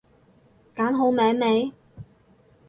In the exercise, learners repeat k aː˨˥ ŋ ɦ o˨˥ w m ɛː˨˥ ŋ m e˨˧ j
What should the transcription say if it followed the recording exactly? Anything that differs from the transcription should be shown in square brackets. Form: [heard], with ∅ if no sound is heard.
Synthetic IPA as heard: k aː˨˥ [n] ɦ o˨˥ w m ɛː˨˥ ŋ m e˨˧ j